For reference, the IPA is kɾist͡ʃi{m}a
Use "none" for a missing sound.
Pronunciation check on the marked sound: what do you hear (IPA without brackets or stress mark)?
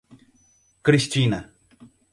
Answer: n